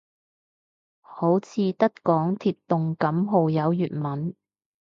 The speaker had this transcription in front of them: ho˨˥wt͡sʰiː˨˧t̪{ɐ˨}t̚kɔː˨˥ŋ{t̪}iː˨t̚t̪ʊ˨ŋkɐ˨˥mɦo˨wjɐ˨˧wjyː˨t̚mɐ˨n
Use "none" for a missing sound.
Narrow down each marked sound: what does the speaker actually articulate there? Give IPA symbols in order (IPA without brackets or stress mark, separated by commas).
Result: ɐ˥, t̪ʰ